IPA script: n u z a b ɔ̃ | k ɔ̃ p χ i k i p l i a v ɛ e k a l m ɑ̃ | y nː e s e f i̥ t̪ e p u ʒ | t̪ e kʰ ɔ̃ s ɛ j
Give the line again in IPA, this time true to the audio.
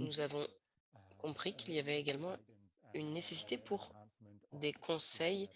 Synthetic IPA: n u z a v ɔ̃ | k ɔ̃ p χ i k i l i a v ɛ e ɡ a l m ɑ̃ | y nː e s e s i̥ t̪ e p u ʁ | d̪ e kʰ ɔ̃ s ɛ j

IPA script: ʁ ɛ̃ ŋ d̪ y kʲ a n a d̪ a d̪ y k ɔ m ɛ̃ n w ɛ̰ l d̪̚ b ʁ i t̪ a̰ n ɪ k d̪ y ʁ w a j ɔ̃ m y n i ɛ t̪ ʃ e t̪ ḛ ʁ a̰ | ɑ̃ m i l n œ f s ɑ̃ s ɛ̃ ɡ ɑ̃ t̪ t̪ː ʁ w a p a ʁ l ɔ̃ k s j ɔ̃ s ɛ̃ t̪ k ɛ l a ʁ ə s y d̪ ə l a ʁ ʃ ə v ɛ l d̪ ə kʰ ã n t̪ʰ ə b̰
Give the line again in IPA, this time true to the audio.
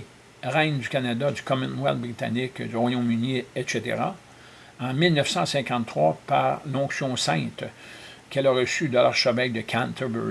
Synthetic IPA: ʁ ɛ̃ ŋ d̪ y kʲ a n a d̪ a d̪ y k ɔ m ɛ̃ n w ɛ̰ l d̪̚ b ʁ i t̪ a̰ n ɪ k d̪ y ʁ w a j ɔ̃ m y n i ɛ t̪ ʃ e t̪ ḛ ʁ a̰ | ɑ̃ m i l n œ f s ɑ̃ s ɛ̃ k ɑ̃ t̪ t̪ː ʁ w a p a ʁ l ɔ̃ k s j ɔ̃ s ɛ̃ t̪ k ɛ l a ʁ ə s y d̪ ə l a ʁ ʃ ə v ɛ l d̪ ə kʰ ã n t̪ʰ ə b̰

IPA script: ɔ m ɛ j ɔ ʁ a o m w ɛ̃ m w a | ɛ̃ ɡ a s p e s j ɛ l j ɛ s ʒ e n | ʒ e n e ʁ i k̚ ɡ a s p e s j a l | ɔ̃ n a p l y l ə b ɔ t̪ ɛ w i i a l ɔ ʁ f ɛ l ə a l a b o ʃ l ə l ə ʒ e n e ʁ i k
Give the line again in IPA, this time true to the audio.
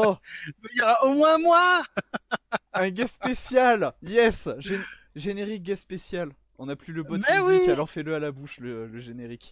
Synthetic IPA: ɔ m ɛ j ɔ ʁ a o m w ɛ̃ m w a | ɛ̃ ɡ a s p e s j a l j ɛ s ʒ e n | ʒ e n e ʁ i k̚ ɡ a s p e s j a l | ɔ̃ n a p l y l ə b ɔ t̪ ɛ w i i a l ɔ ʁ f ɛ l ə a l a b u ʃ l ə l ə ʒ e n e ʁ i k

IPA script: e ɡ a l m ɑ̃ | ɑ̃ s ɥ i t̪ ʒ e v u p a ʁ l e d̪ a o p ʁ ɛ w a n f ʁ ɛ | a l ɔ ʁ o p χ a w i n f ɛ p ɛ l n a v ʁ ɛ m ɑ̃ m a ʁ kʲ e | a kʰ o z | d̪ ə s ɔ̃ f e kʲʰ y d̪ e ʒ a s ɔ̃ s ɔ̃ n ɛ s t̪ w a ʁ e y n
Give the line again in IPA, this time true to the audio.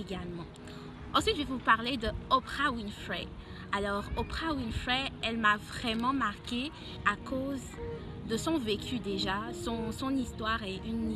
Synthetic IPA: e ɡ a l m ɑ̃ | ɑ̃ s ɥ i t̪ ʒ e v u p a ʁ l e d̪ ə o p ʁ a w i n f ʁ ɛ | a l ɔ ʁ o p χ a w i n f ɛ ɛ l m a v ʁ ɛ m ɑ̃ m a ʁ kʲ e | a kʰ o z | d̪ ə s ɔ̃ v e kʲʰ y d̪ e ʒ a s ɔ̃ s ɔ̃ n i s t̪ w a ʁ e y n

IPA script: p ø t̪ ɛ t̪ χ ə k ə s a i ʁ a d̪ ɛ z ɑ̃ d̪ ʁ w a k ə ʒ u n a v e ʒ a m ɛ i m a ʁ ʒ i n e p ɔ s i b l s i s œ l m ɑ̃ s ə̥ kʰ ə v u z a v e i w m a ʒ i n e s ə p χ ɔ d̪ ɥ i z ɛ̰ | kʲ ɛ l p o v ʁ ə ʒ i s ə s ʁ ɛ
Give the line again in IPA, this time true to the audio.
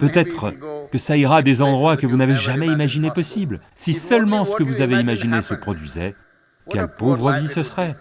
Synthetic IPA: p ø t̪ ɛ t̪ χ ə k ə s a i ʁ a d̪ e z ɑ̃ d̪ ʁ w a k ə v u n a v e ʒ a m ɛ i m a ʒ i n e p ɔ s i b l s i s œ l m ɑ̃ s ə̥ k ə v u z a v e i m a ʒ i n e s ə p χ ɔ d̪ ɥ i z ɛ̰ | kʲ ɛ l p o v ʁ ə v i s ə s ʁ ɛ

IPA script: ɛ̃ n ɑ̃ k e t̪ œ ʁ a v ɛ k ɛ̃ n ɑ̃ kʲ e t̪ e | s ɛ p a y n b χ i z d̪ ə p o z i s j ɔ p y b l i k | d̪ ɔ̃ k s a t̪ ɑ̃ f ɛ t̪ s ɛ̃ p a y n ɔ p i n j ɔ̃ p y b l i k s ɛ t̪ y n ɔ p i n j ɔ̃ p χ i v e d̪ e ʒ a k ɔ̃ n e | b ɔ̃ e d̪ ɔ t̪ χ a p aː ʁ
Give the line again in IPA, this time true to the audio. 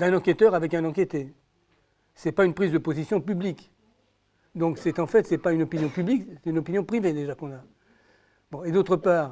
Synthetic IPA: ɛ̃ n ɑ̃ k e t̪ œ ʁ a v ɛ k ɛ̃ n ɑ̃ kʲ e t̪ e | s ɛ p a y n p χ i z d̪ ə p o z i s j ɔ̃ p y b l i k | d̪ ɔ̃ k s ɛ t̪ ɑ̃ f ɛ t̪ s ɛ p a y n ɔ p i n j ɔ̃ p y b l i k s ɛ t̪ y n ɔ p i n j ɔ̃ p χ i v e d̪ e ʒ a k ɔ̃ n a | b ɔ̃ e d̪ o t̪ χ ə p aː ʁ

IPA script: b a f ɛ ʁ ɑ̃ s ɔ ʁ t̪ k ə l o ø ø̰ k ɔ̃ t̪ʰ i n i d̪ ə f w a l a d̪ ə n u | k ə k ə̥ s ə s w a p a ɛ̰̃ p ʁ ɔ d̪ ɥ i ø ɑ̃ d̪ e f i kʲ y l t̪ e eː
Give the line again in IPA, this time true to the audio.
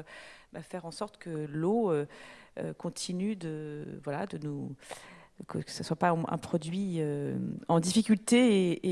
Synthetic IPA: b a f ɛ ʁ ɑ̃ s ɔ ʁ t̪ k ə l o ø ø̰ k ɔ̃ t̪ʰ i n y d̪ ə v w a l a d̪ ə n u | k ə k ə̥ s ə s w a p a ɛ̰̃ p χ ɔ d̪ ɥ i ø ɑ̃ d̪ i f i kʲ y l t̪ e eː

